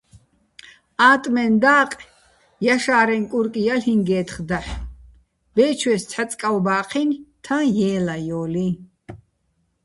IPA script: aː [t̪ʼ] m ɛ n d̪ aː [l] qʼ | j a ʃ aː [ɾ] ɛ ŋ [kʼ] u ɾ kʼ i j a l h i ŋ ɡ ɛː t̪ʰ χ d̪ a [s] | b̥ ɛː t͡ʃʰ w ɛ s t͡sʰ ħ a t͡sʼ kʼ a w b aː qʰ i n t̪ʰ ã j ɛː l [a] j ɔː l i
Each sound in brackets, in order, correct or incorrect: correct, incorrect: none, correct, correct, incorrect: ħ, correct

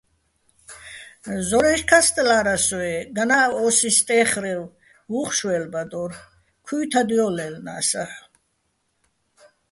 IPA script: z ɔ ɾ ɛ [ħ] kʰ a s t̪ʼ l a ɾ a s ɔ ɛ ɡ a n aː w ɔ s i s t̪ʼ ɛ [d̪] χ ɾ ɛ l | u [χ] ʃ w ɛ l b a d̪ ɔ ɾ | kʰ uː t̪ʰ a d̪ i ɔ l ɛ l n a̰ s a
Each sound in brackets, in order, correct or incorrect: incorrect: ʃ, incorrect: none, correct

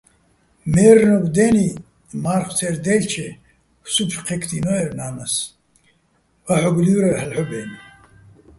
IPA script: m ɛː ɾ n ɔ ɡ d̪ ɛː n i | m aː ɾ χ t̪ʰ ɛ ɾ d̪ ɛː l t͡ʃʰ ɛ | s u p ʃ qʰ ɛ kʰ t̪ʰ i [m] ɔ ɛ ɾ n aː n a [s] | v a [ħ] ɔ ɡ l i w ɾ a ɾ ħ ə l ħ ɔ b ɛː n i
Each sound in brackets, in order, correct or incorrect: incorrect: n, correct, correct

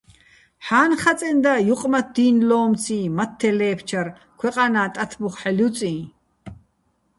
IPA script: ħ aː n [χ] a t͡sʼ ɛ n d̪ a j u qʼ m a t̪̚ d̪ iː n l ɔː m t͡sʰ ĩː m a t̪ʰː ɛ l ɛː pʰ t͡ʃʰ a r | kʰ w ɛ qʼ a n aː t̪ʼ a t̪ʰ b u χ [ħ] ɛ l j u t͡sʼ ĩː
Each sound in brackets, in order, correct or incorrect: correct, correct

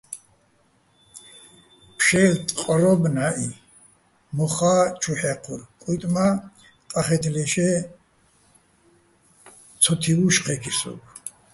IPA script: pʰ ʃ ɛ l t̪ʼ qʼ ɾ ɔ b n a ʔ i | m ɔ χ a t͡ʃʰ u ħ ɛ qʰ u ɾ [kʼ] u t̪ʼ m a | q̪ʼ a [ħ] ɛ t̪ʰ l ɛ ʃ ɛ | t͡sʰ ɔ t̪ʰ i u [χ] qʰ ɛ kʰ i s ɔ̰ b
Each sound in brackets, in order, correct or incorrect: correct, incorrect: χ, incorrect: ʃ

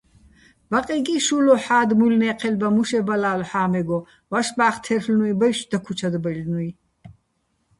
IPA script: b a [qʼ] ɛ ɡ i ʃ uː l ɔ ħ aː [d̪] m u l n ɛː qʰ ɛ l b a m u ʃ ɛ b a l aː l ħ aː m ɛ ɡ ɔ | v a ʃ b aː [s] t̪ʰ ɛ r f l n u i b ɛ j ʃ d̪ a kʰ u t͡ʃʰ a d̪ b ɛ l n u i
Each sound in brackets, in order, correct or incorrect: correct, correct, incorrect: χ

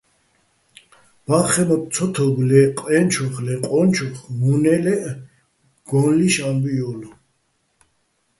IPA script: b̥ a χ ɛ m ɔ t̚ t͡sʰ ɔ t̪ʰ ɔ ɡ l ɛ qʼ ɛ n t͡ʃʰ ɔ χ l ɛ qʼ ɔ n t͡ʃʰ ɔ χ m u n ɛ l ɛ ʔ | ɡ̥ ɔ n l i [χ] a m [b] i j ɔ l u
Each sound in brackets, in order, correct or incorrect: incorrect: ʃ, correct

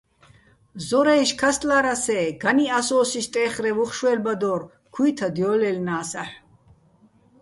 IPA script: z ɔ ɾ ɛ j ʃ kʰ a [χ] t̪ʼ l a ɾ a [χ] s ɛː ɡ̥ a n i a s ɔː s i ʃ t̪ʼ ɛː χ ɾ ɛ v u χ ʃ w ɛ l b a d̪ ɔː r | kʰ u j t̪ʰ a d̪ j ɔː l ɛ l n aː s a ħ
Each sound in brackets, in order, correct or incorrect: incorrect: s, incorrect: none

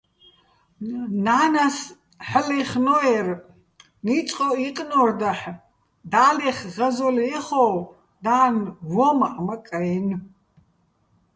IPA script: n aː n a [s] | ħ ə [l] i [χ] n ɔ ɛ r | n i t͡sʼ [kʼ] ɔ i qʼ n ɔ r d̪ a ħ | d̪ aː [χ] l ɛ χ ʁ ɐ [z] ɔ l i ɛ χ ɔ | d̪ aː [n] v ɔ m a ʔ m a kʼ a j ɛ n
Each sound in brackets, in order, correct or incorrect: correct, correct, correct, incorrect: qʼ, incorrect: none, correct, correct

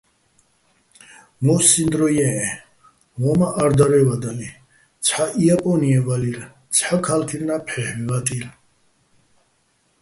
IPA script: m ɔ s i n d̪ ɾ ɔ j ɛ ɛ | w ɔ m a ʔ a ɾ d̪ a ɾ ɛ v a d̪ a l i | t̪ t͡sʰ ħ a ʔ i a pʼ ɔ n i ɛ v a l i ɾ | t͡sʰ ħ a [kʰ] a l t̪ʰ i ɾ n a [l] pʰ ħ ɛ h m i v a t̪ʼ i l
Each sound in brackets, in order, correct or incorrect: correct, incorrect: none

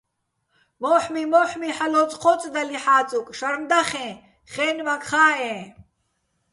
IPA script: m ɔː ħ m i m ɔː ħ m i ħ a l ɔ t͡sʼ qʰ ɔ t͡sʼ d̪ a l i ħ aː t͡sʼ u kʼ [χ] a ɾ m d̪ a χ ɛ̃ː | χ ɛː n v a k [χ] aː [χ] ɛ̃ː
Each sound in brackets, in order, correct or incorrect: incorrect: ʃ, correct, incorrect: none

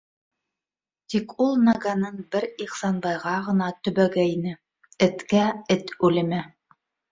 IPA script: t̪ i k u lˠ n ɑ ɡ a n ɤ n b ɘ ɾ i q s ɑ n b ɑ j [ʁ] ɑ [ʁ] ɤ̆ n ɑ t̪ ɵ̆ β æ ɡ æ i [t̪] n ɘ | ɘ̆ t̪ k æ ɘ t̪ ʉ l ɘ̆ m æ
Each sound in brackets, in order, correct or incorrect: correct, correct, incorrect: none

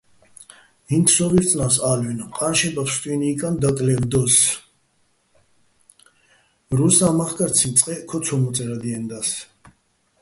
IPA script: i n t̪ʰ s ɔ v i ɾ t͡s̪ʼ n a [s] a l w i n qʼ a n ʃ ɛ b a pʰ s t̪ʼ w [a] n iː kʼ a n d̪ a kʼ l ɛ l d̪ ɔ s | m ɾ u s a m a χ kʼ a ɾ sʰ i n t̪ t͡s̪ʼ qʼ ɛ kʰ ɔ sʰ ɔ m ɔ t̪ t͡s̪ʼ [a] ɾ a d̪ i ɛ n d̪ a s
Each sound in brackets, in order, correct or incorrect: correct, incorrect: i, incorrect: ɛ

